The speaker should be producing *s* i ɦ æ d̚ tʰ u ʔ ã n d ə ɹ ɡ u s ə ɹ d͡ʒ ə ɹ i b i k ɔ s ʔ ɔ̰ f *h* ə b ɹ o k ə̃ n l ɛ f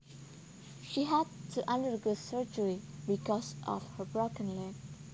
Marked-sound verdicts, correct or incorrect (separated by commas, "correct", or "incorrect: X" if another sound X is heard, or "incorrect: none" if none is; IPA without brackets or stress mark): incorrect: ʃ, correct